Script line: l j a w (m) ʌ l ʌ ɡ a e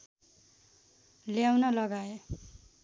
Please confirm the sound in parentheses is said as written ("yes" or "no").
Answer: no